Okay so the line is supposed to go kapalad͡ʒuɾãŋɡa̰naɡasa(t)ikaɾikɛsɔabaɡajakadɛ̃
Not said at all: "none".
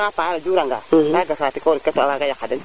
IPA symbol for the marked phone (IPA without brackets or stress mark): t